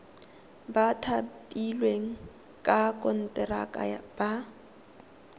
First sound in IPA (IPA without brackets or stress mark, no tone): b